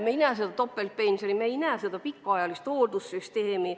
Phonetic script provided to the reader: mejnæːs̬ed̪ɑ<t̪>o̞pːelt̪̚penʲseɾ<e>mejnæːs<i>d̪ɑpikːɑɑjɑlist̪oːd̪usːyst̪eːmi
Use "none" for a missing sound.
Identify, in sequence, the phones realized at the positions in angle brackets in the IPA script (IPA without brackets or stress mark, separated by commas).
t̪, i, e